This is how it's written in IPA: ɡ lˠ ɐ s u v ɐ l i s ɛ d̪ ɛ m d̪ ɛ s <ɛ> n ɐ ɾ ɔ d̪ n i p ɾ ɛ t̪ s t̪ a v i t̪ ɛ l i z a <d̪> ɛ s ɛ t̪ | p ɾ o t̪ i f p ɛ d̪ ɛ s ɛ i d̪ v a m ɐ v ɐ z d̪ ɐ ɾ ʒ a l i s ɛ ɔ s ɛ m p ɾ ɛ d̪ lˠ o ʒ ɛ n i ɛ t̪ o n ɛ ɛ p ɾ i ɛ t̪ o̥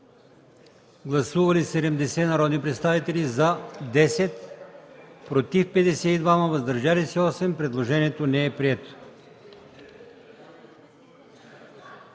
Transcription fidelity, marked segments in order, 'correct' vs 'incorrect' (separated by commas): correct, correct